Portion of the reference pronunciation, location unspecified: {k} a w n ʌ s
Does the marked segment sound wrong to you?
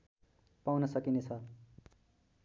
yes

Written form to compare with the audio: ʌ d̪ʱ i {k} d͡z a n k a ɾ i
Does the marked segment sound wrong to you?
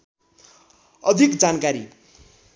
no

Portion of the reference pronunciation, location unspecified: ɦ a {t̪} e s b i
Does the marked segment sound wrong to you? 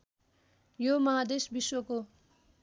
yes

